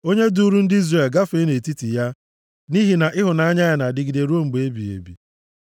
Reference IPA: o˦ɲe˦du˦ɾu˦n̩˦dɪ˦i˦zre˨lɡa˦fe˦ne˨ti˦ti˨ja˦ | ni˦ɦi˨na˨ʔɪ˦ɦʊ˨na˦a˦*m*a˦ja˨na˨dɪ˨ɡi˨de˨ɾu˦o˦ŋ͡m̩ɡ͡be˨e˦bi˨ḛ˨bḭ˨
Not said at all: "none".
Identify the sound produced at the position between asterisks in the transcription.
ɲ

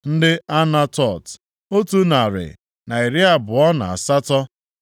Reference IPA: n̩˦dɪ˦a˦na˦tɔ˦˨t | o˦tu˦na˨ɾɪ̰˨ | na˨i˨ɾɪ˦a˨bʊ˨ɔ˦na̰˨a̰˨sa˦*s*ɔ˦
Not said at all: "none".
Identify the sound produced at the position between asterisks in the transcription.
t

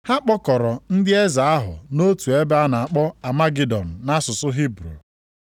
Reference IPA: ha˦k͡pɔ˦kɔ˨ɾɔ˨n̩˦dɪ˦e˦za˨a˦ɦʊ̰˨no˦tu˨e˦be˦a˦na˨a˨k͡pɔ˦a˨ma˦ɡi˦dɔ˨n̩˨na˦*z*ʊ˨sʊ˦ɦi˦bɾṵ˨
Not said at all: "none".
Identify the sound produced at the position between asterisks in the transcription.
s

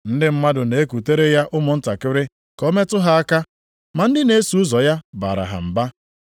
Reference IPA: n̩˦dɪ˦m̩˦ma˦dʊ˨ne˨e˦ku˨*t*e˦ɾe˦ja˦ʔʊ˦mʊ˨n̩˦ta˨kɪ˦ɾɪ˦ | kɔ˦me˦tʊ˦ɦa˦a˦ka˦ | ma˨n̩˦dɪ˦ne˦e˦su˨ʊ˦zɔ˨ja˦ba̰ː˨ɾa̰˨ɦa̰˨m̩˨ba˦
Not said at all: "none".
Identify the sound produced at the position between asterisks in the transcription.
t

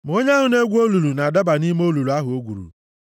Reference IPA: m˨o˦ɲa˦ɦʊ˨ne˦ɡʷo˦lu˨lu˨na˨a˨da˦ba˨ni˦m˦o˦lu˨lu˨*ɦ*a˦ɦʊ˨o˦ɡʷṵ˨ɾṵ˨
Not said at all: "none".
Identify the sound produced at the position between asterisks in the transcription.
none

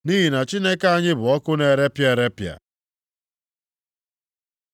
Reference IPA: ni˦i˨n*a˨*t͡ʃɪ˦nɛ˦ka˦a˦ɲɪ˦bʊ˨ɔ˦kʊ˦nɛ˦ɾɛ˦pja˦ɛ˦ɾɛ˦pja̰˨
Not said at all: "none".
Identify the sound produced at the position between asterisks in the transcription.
a˨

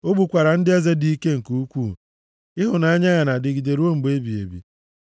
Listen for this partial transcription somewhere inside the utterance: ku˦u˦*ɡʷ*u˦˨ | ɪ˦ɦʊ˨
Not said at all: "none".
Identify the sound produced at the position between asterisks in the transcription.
kʷ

